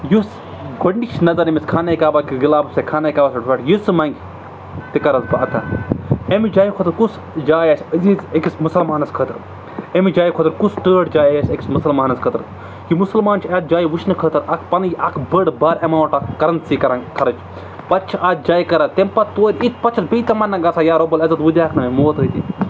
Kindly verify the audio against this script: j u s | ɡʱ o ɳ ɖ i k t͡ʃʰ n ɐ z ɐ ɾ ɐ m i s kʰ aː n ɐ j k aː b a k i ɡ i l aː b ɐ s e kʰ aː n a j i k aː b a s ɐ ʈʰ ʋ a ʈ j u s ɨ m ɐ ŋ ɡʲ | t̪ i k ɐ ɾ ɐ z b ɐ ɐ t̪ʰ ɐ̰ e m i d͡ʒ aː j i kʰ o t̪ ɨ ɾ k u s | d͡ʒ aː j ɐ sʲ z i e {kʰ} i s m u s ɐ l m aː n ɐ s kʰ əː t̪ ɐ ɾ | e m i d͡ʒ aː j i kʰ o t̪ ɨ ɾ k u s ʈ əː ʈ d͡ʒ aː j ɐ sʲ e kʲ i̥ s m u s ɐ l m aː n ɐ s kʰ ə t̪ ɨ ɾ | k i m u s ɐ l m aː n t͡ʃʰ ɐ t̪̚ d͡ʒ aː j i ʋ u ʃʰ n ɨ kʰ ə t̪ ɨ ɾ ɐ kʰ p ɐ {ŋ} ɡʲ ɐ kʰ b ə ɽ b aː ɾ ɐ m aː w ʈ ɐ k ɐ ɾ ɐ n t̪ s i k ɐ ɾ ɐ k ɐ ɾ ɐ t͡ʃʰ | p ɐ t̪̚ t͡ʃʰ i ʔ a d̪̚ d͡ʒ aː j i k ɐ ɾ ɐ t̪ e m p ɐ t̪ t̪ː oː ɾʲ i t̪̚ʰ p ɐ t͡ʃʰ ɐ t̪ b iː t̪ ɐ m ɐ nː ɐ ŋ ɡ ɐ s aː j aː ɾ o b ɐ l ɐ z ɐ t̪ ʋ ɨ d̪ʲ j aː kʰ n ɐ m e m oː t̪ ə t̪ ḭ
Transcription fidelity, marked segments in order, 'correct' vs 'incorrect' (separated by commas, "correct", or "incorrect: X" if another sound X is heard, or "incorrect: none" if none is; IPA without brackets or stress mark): incorrect: k, incorrect: n